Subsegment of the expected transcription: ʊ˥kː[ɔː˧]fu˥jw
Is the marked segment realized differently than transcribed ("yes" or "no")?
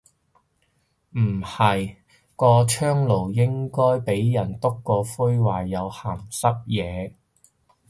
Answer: no